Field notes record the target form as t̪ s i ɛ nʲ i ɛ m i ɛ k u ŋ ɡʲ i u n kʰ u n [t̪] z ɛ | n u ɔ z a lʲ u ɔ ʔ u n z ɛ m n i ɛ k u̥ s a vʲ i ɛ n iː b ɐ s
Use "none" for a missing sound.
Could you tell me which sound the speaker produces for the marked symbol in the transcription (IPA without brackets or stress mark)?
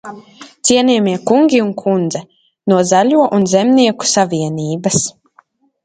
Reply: d̪